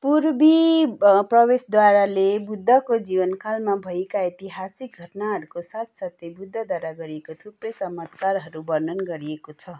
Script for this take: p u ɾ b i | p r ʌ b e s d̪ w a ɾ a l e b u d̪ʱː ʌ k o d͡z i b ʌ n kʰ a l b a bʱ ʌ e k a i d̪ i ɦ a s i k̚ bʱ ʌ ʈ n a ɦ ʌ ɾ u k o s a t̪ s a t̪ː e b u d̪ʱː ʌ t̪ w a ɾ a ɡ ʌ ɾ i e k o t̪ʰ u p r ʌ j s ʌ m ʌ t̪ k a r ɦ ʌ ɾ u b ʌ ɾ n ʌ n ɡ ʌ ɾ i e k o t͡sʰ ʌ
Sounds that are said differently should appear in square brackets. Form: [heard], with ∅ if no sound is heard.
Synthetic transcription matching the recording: p u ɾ b i | p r ʌ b e s d̪ w a ɾ a l e b u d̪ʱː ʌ k o d͡z i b ʌ n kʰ a l [m] a bʱ ʌ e k a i [t̪] i ɦ a s i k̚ [ɡʱ] ʌ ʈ n a ɦ ʌ ɾ u k o s a t̪ s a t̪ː e b u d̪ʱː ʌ [d̪] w a ɾ a ɡ ʌ ɾ i e k o t̪ʰ u p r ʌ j [t͡s] ʌ m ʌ t̪ k a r ɦ ʌ ɾ u b ʌ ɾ n ʌ n ɡ ʌ ɾ i e k o t͡sʰ ʌ